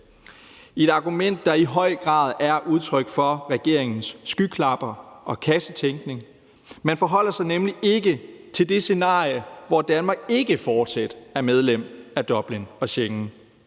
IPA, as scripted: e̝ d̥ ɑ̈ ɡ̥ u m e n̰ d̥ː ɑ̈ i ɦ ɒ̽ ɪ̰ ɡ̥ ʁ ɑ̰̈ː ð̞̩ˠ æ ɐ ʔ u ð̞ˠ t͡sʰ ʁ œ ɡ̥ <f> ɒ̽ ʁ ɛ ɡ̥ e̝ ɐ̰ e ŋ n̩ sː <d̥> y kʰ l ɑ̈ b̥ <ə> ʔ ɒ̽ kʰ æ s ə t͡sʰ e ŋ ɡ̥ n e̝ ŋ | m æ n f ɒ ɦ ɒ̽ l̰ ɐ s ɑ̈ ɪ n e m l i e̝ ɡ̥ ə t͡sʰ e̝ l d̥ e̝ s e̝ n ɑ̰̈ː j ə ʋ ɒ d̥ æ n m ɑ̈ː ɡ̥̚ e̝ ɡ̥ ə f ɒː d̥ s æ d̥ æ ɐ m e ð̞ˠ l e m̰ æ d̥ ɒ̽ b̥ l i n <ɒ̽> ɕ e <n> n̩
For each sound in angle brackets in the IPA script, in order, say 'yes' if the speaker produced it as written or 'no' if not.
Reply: yes, no, no, yes, no

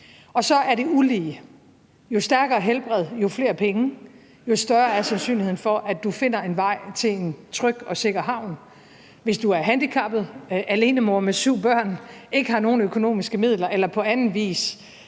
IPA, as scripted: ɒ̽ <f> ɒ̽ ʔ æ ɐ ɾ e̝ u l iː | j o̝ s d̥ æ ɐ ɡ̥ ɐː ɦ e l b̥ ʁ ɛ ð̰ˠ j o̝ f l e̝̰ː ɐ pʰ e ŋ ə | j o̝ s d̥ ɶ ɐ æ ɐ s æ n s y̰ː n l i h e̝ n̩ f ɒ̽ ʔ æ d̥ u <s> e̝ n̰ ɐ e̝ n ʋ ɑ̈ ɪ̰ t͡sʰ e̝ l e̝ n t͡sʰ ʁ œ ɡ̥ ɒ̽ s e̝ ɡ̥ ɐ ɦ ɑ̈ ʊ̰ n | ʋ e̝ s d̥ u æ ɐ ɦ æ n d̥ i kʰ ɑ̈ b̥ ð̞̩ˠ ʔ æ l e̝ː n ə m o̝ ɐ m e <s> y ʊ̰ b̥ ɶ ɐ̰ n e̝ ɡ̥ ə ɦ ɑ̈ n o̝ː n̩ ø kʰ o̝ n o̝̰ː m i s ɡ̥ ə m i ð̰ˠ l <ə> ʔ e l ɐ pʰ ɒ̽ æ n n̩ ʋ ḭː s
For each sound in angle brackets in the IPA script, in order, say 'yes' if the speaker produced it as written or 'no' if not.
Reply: no, no, yes, no

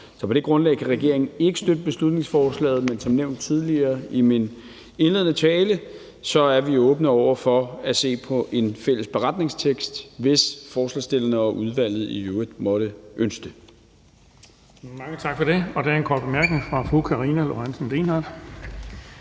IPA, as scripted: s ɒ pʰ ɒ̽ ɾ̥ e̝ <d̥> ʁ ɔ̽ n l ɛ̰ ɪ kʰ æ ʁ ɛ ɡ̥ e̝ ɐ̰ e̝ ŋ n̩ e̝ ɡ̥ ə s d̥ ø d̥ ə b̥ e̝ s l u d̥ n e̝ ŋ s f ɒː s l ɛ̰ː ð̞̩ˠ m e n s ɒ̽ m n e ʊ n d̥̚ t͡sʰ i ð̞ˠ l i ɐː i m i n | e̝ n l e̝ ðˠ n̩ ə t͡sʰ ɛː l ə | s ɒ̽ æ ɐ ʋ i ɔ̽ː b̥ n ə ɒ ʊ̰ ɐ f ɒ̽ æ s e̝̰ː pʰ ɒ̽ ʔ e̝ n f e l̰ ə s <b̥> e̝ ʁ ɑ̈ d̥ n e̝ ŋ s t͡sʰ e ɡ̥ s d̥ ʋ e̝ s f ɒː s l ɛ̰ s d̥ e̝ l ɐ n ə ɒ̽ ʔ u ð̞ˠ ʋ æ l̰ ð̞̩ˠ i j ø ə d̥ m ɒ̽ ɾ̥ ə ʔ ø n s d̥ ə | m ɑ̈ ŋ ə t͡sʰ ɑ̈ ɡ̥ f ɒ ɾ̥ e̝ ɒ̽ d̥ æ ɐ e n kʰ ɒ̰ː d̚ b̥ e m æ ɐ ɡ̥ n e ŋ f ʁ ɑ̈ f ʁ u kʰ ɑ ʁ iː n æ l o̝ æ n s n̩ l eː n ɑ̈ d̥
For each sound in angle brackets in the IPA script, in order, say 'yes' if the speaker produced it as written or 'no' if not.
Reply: no, yes

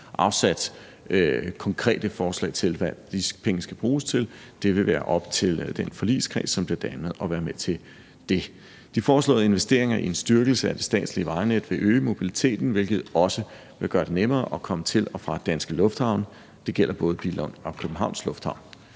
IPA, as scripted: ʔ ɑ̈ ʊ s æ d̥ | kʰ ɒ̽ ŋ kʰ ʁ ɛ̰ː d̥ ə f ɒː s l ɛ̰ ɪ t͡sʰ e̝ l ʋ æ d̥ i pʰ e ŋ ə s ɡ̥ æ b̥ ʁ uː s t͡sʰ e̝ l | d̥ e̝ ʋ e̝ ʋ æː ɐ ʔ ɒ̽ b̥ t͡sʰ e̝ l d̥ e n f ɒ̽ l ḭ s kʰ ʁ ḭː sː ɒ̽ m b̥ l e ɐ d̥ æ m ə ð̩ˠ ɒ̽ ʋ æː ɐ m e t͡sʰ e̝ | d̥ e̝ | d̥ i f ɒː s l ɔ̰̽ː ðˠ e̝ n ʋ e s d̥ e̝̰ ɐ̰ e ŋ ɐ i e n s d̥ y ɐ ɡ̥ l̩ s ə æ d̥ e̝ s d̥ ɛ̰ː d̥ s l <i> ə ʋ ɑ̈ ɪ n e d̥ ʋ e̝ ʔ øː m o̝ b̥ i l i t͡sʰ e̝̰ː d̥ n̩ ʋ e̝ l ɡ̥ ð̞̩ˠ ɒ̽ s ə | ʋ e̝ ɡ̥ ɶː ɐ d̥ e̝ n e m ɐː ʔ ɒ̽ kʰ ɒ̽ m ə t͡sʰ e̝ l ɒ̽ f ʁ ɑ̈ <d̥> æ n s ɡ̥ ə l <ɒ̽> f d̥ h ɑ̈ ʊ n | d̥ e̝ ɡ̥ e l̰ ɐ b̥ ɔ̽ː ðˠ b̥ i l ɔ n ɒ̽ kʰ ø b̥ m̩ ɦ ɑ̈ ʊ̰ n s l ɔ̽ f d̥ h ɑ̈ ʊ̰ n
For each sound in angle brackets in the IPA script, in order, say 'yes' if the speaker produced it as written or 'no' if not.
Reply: yes, yes, no

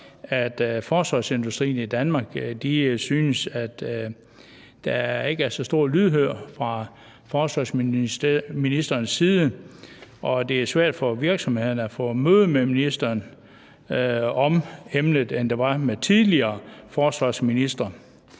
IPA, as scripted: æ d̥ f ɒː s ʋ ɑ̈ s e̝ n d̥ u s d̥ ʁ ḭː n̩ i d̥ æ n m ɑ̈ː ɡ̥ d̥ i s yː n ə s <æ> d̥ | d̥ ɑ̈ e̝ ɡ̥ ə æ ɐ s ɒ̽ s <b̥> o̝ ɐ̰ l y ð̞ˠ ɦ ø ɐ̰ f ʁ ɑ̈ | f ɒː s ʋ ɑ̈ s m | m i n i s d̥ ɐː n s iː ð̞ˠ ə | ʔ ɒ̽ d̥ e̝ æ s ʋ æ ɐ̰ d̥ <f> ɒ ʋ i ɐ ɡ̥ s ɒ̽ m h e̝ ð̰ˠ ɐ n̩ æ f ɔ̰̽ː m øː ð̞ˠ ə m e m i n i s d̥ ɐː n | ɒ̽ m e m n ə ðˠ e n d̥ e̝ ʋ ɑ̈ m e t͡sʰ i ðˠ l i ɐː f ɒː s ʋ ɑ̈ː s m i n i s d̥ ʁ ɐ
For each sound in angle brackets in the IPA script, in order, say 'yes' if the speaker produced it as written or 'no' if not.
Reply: yes, no, yes

